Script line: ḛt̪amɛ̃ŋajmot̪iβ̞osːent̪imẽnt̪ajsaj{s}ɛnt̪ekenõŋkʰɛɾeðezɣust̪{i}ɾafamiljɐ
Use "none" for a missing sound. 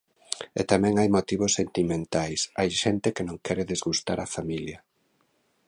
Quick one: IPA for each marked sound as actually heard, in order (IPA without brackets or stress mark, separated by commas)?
ʃ, a